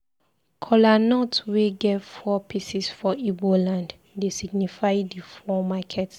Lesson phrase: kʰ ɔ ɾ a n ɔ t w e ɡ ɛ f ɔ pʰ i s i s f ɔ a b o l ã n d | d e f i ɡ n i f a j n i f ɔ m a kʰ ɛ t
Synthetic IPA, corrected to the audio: kʰ ɔ l a n ɔ t w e ɡ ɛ f ɔ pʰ i s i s f ɔ i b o l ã n d | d e s i ɡ n i f a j d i f ɔ m a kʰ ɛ t